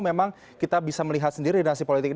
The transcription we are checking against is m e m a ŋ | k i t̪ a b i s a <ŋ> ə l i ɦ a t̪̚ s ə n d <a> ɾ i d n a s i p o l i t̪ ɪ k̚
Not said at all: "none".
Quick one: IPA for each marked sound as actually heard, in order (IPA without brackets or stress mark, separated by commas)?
m, i